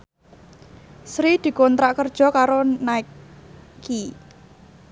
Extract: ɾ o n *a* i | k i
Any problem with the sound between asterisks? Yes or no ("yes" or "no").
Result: no